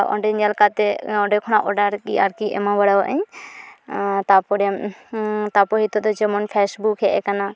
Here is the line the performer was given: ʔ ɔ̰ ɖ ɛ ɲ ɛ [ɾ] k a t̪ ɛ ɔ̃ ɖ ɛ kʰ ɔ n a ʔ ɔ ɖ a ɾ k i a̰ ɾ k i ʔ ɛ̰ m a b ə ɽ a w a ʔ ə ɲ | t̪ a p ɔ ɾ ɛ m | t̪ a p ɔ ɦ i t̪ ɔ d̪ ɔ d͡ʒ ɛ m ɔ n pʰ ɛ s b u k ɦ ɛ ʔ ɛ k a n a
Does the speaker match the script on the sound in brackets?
no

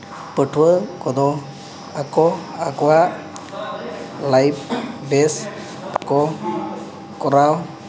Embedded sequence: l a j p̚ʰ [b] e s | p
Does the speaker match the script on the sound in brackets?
yes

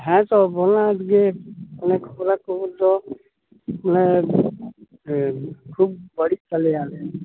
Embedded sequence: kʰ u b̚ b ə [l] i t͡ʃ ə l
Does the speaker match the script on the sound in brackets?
no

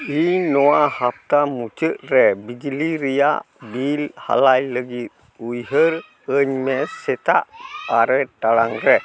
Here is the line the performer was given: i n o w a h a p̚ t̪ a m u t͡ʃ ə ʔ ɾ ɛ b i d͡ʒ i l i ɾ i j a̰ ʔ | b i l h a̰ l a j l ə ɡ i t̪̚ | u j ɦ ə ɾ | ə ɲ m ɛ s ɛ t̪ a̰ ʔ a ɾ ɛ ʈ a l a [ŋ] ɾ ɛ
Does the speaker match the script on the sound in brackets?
yes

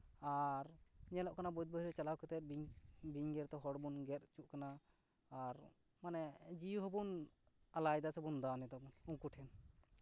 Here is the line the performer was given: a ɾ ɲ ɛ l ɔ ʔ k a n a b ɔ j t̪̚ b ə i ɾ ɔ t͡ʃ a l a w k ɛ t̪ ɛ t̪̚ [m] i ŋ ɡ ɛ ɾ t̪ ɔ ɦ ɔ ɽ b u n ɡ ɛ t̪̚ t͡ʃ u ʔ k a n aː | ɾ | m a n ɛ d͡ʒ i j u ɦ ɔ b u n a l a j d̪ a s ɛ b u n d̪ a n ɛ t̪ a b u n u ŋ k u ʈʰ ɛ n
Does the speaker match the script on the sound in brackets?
no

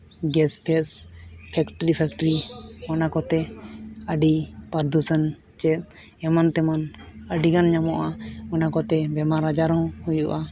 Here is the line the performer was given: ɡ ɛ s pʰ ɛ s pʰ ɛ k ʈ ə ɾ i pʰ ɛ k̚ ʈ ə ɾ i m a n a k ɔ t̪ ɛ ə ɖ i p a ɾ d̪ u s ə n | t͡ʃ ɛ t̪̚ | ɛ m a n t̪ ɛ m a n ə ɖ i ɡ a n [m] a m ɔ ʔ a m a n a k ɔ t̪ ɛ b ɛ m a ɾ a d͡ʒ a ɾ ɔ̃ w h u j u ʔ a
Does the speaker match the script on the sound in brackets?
no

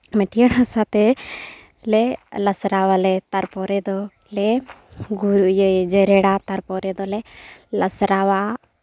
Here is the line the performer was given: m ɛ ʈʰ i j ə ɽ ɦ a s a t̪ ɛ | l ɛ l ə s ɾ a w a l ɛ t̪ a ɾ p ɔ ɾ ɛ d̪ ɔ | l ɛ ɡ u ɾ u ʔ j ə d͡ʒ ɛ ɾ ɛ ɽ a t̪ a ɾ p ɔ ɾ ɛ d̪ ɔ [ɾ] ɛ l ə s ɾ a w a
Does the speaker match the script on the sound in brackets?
no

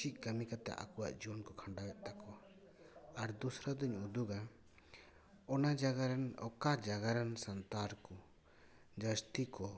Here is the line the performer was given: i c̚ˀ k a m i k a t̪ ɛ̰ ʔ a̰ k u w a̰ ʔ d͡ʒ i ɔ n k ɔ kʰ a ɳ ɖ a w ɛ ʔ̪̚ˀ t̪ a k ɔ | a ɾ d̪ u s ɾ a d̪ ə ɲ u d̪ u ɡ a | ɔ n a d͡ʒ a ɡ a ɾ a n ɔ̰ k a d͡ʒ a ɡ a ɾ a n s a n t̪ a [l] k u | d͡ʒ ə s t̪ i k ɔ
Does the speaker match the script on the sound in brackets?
no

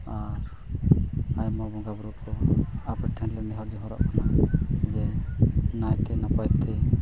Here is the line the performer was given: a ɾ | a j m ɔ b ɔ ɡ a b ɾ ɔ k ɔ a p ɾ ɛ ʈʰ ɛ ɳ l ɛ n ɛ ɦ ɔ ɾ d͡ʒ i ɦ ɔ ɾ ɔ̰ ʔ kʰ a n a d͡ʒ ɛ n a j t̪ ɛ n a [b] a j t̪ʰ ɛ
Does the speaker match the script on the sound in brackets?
no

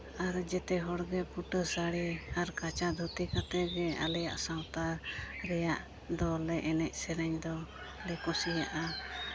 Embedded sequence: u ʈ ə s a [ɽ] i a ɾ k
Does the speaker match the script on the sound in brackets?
yes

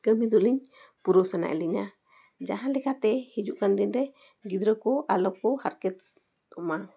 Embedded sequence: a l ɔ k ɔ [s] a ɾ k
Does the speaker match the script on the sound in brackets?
no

